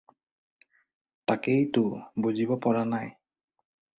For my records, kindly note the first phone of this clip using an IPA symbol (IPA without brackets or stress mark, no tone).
t